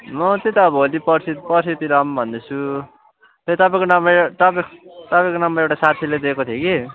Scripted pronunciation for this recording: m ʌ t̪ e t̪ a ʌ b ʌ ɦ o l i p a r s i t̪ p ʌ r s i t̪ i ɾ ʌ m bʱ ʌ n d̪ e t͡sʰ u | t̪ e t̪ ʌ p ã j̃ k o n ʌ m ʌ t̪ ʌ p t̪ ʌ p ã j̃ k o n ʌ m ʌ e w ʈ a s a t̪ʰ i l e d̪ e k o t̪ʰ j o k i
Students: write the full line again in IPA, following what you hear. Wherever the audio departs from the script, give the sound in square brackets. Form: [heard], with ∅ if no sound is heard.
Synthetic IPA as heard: m ʌ t̪ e t̪ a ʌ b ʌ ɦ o l i p [ʌ] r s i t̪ p ʌ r s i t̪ i ɾ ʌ m bʱ ʌ n d̪ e t͡sʰ u | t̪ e t̪ ʌ p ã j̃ k o n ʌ m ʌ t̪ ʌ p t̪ ʌ p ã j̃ k o n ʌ m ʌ e w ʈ a s a t̪ʰ i l e d̪ e k o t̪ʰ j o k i